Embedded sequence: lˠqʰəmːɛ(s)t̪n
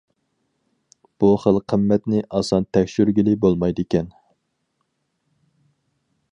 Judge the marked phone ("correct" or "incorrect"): incorrect